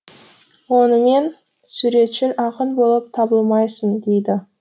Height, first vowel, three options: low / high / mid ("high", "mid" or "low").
mid